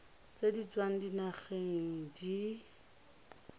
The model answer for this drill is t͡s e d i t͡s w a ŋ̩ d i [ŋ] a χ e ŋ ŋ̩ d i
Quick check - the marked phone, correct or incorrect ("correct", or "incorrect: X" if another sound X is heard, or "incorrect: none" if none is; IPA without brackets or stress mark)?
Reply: incorrect: n